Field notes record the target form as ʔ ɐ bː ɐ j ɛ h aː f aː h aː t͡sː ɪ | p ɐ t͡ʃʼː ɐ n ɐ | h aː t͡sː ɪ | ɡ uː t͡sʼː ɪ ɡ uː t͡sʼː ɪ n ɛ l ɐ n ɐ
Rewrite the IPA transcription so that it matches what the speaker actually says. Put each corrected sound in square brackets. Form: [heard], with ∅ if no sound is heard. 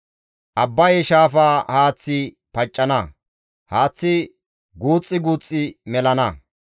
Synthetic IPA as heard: ʔ ɐ bː ɐ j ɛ [ʃ] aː f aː h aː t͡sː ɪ | p ɐ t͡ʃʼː ɐ n ɐ | h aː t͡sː ɪ | ɡ uː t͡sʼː ɪ ɡ uː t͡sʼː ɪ [m] ɛ l ɐ n ɐ